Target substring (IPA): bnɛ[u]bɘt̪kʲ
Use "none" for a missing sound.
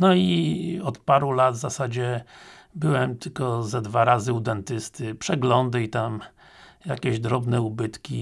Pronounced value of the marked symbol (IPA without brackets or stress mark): u